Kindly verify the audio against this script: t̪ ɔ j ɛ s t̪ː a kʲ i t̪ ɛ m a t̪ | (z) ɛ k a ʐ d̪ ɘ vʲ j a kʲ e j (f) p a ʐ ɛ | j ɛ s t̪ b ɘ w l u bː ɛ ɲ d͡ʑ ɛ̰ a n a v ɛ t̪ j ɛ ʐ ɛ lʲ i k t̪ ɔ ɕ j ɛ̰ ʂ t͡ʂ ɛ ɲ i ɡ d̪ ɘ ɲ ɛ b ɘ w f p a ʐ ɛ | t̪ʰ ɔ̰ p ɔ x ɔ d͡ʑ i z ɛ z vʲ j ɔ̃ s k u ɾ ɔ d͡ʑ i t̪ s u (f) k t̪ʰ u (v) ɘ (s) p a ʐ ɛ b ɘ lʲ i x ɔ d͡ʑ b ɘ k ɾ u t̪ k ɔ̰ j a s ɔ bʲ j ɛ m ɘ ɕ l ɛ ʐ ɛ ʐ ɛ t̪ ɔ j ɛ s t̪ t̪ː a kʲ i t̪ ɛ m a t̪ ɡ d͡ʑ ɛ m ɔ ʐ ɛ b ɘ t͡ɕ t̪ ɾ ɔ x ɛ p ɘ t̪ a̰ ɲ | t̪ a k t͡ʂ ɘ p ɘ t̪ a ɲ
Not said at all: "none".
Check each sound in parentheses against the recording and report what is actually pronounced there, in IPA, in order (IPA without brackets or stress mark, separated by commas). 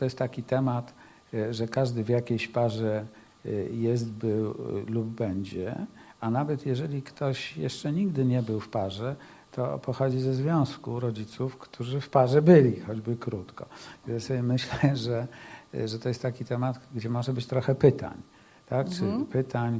ʐ, ɕ, f, ʐ, f